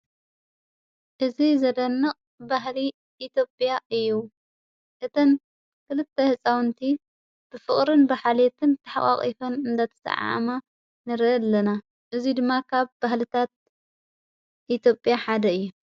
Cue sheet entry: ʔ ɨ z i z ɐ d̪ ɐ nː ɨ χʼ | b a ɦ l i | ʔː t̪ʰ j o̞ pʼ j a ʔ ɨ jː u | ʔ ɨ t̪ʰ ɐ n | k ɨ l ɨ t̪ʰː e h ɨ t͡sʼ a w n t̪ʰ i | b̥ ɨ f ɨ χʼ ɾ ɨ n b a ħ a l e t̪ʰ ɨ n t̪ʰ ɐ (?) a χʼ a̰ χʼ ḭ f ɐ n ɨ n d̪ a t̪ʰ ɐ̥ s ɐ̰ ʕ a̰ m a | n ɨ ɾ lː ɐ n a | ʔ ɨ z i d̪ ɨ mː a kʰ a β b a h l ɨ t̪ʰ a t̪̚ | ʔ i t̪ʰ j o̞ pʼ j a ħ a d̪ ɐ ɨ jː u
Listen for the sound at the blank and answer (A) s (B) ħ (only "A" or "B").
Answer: B